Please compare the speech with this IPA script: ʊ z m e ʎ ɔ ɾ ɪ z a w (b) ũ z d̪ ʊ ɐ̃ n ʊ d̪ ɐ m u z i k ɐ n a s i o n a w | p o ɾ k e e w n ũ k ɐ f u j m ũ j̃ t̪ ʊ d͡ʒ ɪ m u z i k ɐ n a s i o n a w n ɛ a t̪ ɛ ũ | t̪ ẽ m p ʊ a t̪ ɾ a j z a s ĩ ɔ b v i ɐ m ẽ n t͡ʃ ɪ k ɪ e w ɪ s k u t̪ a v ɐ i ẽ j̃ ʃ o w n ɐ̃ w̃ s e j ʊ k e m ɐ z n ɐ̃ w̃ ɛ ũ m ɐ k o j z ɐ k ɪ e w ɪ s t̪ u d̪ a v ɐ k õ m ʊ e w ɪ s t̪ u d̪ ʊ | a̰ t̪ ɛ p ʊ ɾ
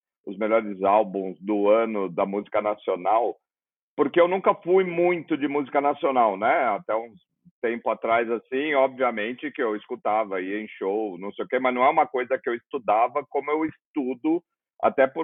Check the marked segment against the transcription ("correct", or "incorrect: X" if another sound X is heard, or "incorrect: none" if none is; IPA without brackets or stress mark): correct